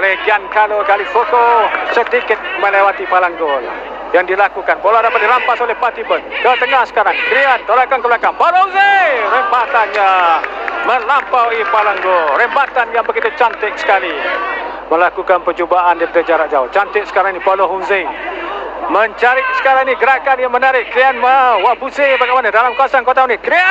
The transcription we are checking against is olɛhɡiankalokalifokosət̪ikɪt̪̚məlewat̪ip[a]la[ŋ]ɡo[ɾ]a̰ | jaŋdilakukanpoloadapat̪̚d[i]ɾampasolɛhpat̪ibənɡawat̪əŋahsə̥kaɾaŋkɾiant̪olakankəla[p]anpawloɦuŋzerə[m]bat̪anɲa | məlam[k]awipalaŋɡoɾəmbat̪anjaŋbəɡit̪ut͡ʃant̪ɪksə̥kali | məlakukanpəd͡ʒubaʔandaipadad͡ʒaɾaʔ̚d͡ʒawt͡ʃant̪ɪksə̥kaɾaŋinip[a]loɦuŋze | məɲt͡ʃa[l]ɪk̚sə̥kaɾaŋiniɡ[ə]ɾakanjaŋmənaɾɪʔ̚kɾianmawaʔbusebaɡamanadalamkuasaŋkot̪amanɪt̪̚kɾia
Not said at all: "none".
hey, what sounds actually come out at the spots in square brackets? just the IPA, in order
a, ŋ, l, i, k, m, p, a, ɾ, ə

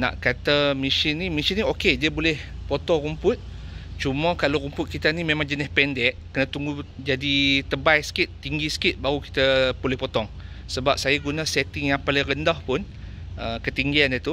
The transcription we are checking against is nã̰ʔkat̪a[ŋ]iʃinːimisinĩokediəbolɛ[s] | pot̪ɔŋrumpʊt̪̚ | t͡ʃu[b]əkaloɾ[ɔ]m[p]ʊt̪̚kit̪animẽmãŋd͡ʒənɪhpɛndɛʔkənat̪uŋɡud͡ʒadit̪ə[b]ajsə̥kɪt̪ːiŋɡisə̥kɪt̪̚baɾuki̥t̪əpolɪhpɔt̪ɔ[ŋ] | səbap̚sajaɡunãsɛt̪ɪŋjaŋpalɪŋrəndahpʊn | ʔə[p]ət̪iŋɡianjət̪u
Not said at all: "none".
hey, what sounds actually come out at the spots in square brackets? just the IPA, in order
m, h, m, u, p, b, ŋ, k

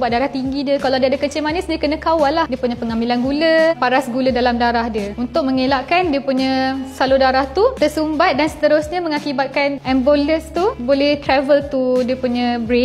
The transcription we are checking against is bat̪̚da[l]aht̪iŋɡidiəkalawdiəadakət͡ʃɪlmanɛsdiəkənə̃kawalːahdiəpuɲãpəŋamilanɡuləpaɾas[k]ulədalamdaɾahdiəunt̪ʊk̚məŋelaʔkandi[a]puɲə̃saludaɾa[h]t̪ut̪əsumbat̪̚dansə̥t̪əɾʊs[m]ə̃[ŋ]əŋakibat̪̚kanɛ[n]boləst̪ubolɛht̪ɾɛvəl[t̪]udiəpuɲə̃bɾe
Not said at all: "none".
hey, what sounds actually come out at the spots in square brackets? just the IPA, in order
ɾ, ɡ, ə, h, ɲ, m, m, t̪

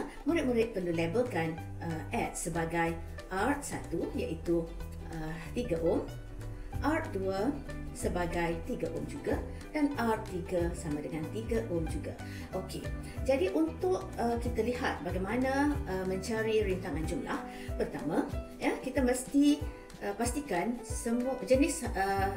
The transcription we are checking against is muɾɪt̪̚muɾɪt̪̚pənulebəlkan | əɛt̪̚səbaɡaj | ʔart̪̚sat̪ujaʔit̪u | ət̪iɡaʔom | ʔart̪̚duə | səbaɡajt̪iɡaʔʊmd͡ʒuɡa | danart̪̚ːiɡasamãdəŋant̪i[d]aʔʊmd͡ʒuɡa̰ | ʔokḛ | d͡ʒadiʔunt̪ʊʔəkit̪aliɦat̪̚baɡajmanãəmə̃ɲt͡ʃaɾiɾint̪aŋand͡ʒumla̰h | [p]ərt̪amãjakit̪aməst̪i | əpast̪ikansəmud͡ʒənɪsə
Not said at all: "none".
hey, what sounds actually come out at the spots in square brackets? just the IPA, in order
ɡ, p

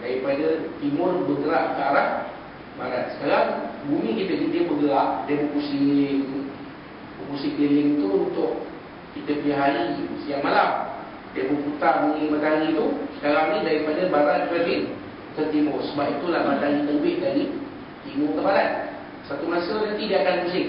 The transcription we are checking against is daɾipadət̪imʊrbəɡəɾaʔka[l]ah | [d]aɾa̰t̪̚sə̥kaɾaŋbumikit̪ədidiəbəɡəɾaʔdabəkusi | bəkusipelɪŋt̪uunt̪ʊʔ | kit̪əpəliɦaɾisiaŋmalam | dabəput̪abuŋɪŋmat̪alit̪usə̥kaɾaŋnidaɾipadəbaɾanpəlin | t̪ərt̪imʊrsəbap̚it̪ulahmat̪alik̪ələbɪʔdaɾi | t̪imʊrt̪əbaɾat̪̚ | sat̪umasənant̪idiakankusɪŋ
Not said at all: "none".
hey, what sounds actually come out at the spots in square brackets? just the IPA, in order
ɾ, b

